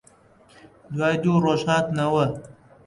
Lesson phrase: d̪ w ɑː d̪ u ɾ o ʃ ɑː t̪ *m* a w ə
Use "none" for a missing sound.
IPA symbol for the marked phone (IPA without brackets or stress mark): n